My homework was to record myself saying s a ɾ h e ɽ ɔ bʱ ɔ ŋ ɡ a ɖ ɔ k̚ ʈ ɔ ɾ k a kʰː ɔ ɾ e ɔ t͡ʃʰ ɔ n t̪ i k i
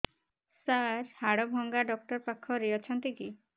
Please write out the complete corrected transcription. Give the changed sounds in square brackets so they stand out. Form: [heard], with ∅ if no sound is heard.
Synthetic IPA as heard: s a ɾ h [a] ɽ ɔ bʱ ɔ ŋ ɡ a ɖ ɔ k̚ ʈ ɔ ɾ [p] a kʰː ɔ ɾ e ɔ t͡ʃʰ ɔ n t̪ i k i